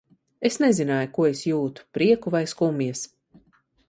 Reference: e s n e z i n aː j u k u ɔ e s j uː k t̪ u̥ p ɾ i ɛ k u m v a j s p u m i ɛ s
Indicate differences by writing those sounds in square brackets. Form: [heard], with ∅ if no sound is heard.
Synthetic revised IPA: e s n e z i n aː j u k u ɔ e s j uː [∅] t̪ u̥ p ɾ i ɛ k u [∅] v a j s [k] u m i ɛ s

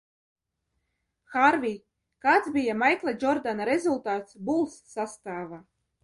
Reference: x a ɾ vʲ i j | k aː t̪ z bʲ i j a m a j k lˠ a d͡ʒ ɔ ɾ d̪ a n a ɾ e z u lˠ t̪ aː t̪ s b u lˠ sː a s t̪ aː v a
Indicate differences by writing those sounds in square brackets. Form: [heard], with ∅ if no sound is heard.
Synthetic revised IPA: x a ɾ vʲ i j | k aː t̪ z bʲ i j a m a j k lˠ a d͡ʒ ɔ ɾ d̪ a n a ɾ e z u lˠ t̪ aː t̪ s b u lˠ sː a s t̪ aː v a

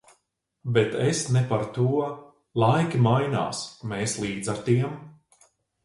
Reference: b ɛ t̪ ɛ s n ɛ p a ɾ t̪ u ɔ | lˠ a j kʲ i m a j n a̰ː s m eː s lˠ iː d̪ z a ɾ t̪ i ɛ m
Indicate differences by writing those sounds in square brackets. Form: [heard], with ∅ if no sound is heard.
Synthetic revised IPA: b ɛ t̪ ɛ s n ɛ p a ɾ t̪ u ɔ | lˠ a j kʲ i m a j n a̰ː s m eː s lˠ iː d̪ z a ɾ t̪ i ɛ m

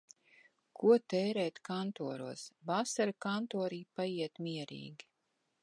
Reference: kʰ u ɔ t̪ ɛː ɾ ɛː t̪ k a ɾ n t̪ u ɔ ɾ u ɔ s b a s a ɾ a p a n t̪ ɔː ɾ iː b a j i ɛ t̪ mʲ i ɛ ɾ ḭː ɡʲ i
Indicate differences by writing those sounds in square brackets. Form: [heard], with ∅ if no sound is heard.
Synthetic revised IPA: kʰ u ɔ t̪ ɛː ɾ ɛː t̪ k a [∅] n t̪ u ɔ ɾ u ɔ s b a s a ɾ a [k] a n t̪ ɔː ɾ iː [p] a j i ɛ t̪ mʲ i ɛ ɾ ḭː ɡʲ i

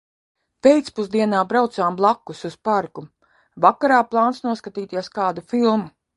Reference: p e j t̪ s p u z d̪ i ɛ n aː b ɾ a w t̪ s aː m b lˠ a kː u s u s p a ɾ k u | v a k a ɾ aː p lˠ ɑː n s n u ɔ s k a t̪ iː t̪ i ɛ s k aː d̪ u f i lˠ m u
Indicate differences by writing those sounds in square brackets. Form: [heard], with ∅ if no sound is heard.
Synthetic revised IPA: p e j t̪ s p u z d̪ i ɛ n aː b ɾ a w t̪ s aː m b lˠ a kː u s u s p a ɾ k u | v a k a ɾ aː p lˠ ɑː n s n u ɔ s k a t̪ iː t̪ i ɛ s k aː d̪ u f i lˠ m u

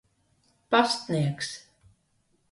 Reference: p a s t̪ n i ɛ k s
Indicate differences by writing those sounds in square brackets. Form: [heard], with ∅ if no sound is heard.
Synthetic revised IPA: p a s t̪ n i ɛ k s

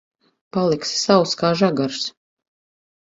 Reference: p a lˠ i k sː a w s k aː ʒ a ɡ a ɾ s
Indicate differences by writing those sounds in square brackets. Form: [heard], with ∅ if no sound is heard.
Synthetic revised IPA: p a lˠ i k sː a w s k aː ʒ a ɡ a ɾ s

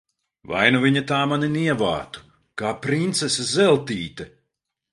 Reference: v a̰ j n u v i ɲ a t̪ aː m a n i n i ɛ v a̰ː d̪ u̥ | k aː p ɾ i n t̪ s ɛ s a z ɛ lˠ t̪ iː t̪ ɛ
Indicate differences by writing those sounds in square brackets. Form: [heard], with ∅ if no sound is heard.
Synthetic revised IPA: v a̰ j n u v i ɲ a t̪ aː m a n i n i ɛ v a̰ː [t̪] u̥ | k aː p ɾ i n t̪ s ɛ s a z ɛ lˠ t̪ iː t̪ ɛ

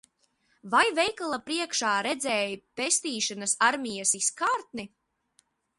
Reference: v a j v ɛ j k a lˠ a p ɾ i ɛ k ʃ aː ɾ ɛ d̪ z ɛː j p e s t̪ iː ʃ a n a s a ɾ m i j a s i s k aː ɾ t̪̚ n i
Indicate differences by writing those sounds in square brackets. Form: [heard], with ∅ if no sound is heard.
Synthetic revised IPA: v a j v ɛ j k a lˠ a p ɾ i ɛ k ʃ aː ɾ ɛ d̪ z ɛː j p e s t̪ iː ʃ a n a s a ɾ m i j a s i s k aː ɾ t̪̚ n i

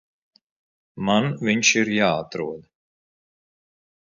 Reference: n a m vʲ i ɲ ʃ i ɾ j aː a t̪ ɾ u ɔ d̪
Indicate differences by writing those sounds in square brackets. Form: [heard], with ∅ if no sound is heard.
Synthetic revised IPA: [m] a [n] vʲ i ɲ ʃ i ɾ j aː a t̪ ɾ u ɔ d̪

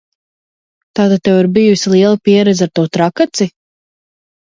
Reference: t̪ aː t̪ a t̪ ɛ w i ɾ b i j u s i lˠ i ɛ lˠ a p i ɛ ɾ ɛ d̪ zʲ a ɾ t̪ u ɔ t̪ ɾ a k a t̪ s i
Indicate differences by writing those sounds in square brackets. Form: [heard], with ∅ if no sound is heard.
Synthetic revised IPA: t̪ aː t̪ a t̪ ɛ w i ɾ b i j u s i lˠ i ɛ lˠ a p i ɛ ɾ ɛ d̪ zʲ a ɾ t̪ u ɔ t̪ ɾ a k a t̪ s i

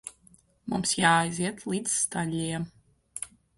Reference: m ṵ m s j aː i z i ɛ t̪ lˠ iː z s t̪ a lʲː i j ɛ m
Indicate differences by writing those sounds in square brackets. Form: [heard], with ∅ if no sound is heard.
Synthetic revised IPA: m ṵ m s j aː [j] z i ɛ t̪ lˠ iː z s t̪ a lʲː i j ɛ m

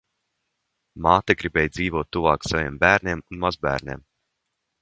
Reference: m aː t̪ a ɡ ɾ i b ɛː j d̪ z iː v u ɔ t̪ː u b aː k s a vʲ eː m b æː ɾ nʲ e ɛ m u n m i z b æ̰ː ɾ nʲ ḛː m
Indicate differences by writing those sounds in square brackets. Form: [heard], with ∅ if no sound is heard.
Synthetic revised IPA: m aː t̪ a ɡ ɾ i b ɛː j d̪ z iː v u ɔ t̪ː u [v] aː k s a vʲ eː m b æː ɾ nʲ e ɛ m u n m [a] z b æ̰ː ɾ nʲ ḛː m

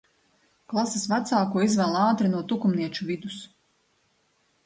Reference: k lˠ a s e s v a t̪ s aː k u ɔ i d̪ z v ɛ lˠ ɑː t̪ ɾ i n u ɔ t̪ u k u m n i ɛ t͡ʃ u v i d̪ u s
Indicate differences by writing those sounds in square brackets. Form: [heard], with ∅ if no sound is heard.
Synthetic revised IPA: k lˠ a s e s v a t̪ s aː k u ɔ i [∅] z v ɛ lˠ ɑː t̪ ɾ i n u ɔ t̪ u k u m n i ɛ t͡ʃ u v i d̪ u s

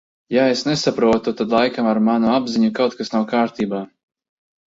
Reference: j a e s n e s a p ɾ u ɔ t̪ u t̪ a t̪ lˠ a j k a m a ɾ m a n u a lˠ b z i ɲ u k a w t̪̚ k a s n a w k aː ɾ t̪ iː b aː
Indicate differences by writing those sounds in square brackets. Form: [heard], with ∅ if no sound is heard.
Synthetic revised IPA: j a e s n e s a p ɾ u ɔ t̪ u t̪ a [d̪] lˠ a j k a m a ɾ m a n u a [∅] b z i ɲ u k a w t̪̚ k a s n a w k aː ɾ t̪ iː b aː

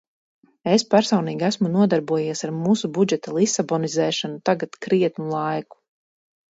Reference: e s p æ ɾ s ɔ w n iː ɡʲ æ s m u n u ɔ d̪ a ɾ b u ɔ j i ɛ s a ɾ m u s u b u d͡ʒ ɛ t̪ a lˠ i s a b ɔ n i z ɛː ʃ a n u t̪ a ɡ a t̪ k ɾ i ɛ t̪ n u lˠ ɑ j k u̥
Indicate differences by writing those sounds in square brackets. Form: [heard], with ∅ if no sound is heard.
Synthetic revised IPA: e s p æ ɾ s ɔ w n iː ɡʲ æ s m u n u ɔ d̪ a ɾ b u ɔ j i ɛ s a ɾ m [uː] s u b u d͡ʒ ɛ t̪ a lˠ i s a b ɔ n i z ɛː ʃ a n u t̪ a ɡ a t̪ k ɾ i ɛ t̪ n u lˠ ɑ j k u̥

